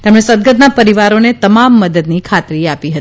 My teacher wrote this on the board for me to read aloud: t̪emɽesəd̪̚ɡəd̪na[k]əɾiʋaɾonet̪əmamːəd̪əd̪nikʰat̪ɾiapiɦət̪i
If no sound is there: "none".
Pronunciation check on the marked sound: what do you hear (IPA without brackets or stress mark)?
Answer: p